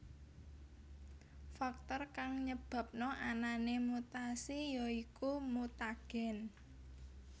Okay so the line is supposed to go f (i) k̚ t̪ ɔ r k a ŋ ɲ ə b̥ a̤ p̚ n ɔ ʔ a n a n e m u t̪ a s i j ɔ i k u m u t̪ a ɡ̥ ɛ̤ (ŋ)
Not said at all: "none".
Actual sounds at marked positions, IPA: a, n

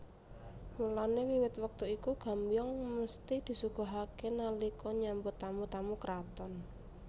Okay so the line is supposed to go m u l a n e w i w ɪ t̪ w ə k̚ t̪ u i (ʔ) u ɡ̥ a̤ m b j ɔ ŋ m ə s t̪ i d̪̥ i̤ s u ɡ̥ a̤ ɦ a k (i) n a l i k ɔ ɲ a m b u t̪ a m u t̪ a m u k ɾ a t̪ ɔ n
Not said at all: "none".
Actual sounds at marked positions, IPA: k, e

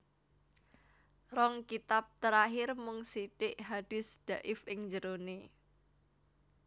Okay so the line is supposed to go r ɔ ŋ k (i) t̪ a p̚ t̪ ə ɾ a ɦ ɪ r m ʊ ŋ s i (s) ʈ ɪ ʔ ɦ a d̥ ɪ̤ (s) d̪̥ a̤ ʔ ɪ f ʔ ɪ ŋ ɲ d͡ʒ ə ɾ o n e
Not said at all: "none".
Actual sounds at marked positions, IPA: i, none, s

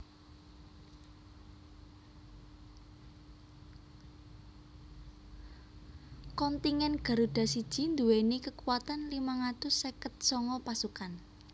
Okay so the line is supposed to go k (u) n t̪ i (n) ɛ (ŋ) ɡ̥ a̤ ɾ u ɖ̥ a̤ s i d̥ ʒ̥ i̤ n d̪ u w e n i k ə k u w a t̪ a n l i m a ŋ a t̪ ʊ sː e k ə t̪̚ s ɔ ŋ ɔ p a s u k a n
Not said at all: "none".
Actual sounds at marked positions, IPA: ɔ, ŋ, n

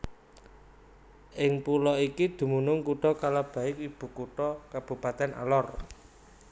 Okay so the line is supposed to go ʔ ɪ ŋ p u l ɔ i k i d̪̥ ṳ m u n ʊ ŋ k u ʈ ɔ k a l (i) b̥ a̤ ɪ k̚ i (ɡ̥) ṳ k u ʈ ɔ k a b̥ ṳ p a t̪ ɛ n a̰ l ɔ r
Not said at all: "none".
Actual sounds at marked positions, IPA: a, b̥

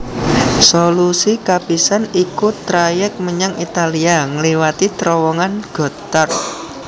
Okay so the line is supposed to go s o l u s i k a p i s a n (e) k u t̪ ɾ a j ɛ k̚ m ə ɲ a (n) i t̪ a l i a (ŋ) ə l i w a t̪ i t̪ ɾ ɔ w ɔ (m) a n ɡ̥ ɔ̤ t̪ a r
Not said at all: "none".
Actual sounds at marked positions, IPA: i, ŋ, ŋ, ŋ

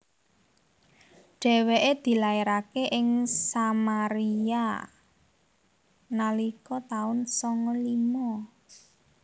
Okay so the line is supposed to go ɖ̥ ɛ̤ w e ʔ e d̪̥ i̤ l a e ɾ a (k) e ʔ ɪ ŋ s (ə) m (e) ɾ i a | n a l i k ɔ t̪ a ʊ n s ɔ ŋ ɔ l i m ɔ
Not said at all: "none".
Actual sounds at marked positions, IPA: k, a, a

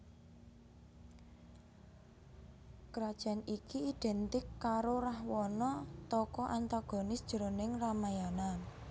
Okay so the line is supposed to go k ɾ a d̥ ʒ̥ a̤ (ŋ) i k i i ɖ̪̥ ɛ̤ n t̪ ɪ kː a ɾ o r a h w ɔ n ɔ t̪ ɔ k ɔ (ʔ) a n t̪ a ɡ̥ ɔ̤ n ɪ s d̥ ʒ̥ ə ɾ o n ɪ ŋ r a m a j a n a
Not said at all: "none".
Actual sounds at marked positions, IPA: n, ʔ

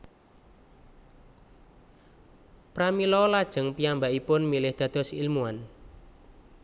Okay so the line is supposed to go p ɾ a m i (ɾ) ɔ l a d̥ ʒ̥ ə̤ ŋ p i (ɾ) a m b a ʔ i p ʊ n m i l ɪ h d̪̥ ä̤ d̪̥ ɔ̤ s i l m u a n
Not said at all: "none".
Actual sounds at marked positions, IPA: l, none

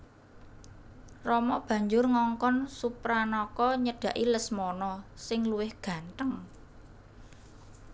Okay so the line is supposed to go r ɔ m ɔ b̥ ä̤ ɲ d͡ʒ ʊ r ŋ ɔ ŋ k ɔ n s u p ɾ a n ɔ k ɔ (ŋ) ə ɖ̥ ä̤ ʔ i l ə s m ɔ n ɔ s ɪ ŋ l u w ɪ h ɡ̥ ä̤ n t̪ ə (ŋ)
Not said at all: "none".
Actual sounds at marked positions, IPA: ɲ, ŋ

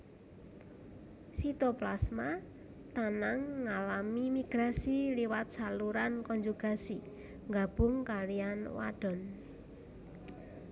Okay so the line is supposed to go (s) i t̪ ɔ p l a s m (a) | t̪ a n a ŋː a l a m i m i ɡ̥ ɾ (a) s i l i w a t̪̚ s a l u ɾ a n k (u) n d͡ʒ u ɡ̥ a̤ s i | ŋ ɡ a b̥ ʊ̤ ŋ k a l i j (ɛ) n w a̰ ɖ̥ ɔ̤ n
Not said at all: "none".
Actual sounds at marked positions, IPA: s, a, a, ɔ, a

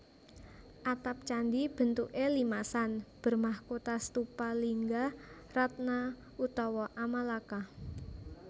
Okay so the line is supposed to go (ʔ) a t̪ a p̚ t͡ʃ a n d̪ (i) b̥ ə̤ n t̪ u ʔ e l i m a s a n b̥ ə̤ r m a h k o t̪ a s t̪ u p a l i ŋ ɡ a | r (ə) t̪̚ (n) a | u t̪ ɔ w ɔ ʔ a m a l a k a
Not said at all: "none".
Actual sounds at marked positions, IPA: ʔ, i, a, n

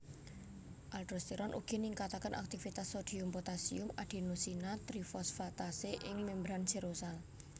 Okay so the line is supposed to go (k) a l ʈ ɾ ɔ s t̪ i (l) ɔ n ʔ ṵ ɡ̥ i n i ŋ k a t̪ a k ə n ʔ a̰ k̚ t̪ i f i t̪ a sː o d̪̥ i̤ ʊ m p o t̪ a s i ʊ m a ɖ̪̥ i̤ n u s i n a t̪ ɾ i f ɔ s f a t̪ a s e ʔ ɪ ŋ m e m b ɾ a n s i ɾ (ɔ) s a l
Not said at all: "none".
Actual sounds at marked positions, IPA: ʔ, ɾ, o

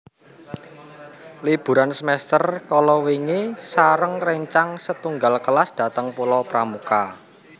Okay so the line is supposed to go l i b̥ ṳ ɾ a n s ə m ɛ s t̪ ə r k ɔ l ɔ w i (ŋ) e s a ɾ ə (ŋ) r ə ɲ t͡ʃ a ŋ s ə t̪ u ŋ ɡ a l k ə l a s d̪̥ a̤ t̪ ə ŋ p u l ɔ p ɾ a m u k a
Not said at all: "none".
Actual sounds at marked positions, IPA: ŋ, ŋ

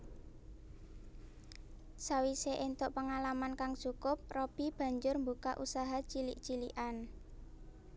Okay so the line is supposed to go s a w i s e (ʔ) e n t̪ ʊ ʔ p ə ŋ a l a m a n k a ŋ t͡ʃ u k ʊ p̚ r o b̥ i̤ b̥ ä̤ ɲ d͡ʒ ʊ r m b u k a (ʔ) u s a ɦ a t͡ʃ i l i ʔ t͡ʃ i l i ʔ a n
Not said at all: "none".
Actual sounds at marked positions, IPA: ʔ, ʔ

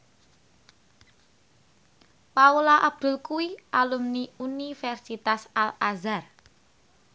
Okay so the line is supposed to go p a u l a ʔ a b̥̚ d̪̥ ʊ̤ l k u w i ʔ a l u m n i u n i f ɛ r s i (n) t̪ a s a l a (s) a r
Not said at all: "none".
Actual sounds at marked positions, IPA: none, z

